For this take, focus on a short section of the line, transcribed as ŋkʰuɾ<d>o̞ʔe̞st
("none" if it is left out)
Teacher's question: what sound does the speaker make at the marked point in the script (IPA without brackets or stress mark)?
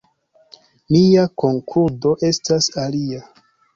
d